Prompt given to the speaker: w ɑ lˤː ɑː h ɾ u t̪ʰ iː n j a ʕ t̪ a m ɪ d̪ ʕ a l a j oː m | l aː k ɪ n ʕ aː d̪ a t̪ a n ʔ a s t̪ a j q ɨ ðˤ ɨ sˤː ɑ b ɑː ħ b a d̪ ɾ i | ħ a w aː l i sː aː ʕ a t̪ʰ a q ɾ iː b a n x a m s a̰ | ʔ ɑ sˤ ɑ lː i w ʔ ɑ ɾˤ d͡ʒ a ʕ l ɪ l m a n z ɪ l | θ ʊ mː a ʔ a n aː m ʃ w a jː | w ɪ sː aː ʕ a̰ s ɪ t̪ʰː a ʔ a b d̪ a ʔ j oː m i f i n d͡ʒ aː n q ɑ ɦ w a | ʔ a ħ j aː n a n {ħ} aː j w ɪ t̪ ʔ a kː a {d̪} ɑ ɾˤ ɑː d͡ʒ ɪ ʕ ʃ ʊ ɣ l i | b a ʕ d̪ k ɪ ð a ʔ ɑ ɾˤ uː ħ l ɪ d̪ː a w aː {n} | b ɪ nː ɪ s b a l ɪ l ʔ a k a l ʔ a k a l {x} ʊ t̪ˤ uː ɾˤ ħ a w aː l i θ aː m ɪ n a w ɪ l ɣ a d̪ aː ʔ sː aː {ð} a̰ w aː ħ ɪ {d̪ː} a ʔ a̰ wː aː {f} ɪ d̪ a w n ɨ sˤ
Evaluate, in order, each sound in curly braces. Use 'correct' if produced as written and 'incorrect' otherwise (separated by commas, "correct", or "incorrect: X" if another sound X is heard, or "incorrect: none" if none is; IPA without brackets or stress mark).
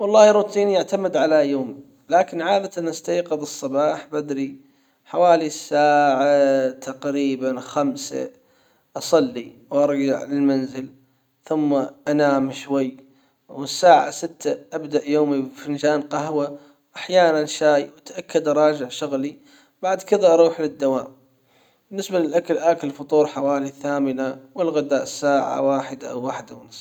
incorrect: ʃ, correct, incorrect: m, incorrect: f, incorrect: ʕ, incorrect: d̪, incorrect: ħ